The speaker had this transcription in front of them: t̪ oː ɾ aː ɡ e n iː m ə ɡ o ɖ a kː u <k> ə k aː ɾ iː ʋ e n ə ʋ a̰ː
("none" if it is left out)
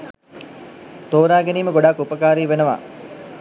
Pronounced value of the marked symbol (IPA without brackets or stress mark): p